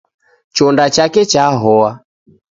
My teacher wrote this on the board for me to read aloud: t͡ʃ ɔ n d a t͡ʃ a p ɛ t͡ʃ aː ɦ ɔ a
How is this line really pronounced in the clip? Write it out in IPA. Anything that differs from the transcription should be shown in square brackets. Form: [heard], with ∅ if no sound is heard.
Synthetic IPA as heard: t͡ʃ ɔ n d a t͡ʃ a [k] ɛ t͡ʃ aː ɦ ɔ a